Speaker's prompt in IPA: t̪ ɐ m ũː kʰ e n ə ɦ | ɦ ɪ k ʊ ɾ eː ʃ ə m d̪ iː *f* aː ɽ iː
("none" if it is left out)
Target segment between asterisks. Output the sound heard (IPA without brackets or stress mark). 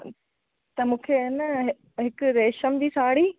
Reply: s